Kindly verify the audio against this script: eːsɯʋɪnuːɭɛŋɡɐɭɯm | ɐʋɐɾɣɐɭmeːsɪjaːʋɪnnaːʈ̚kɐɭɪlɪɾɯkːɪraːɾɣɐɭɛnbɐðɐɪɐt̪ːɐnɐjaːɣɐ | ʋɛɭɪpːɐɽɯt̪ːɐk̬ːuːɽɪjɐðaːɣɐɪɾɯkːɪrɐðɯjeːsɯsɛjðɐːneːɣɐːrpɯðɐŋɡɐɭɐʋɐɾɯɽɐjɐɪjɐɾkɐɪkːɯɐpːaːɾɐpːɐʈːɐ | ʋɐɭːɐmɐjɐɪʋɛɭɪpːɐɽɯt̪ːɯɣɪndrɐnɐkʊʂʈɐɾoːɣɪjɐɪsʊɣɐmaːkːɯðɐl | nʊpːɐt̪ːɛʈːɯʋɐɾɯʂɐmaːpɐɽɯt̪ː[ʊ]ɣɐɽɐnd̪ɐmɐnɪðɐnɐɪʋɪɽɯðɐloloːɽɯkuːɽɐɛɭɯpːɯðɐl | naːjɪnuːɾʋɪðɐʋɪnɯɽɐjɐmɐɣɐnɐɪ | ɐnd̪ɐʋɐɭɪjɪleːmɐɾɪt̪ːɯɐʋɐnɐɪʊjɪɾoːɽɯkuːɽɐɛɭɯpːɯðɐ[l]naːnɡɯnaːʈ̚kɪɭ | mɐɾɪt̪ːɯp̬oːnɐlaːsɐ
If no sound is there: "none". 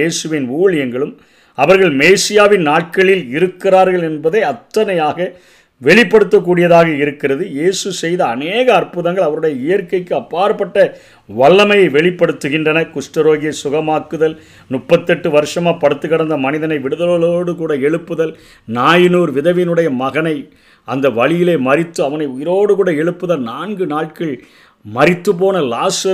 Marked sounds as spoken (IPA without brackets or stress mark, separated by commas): ɯ, l